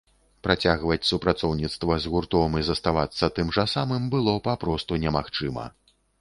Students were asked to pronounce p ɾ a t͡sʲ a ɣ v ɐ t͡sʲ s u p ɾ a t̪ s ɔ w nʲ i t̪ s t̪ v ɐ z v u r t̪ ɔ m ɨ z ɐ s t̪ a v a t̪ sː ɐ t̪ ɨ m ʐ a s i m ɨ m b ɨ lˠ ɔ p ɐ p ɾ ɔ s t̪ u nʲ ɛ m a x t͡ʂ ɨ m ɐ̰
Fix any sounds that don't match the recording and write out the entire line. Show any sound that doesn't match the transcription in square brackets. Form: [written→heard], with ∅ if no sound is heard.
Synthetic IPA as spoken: p ɾ a t͡sʲ a ɣ v ɐ t͡sʲ s u p ɾ a t̪ s ɔ w nʲ i t̪ s t̪ v ɐ z [v→ɣ] u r t̪ ɔ m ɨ z ɐ s t̪ a v a t̪ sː ɐ t̪ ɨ m ʐ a s [i→a] m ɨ m b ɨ lˠ ɔ p [ɐ→a] p ɾ ɔ s t̪ u nʲ ɛ m a x t͡ʂ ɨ m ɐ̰